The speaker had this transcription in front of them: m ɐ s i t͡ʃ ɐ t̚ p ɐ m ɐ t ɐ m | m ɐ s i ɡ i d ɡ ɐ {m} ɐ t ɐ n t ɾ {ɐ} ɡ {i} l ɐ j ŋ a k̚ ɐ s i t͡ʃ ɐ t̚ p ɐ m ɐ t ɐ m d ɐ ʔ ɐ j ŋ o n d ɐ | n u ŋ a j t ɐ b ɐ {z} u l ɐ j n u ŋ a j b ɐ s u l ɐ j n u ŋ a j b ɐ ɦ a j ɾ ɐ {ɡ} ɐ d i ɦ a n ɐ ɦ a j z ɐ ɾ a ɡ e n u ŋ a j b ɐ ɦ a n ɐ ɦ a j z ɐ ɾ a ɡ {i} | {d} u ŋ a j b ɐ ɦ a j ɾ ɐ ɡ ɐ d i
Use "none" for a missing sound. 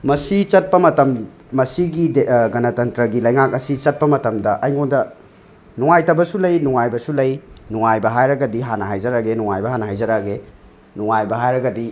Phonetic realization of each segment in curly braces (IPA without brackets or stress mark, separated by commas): n, ɐ, i, s, ɡ, e, n